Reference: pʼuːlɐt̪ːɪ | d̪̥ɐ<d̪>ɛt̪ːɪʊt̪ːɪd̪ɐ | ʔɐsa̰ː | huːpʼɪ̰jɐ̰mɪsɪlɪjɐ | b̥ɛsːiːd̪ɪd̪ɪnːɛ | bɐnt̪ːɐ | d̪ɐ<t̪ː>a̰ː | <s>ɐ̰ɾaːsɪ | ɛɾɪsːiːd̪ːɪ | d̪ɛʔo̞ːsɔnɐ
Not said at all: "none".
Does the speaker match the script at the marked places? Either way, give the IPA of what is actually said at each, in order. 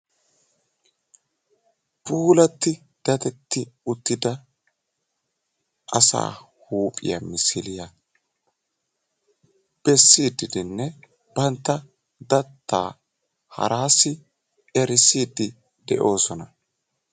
t̪, t̪ː, h

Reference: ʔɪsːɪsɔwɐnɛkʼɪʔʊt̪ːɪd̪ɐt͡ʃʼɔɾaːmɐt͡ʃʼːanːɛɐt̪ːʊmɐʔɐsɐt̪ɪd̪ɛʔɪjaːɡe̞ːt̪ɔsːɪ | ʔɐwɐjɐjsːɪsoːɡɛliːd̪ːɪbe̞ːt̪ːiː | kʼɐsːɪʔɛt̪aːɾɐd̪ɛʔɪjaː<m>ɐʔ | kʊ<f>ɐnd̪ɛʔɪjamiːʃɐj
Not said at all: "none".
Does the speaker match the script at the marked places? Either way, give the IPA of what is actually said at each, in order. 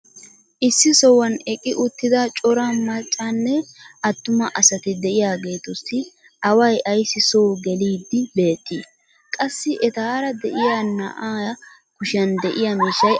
n, ʃ

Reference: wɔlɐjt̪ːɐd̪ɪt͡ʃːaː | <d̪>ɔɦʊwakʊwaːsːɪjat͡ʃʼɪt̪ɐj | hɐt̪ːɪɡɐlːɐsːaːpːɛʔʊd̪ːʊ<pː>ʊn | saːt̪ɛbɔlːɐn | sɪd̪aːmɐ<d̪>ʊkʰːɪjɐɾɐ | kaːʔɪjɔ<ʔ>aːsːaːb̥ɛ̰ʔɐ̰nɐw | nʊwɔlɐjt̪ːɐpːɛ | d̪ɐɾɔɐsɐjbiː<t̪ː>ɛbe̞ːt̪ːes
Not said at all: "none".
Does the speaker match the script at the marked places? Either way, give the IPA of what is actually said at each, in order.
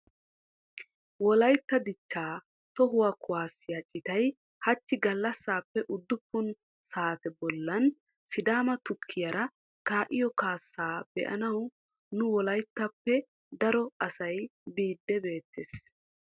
t̪, pː, t̪, k, d̪ː

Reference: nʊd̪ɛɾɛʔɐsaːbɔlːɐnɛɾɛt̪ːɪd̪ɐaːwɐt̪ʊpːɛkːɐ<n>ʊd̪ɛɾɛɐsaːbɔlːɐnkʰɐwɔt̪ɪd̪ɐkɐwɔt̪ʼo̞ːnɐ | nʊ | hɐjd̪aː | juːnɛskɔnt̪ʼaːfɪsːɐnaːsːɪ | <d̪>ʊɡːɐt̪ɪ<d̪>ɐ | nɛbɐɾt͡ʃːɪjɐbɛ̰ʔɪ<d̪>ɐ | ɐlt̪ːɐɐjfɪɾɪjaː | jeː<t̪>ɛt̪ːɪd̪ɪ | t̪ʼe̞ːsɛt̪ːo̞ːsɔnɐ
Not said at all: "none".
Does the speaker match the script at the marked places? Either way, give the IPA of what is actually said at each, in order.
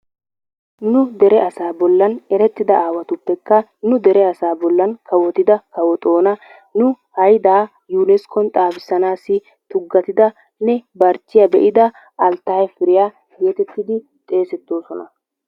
n, t̪, d̪, d̪, t̪

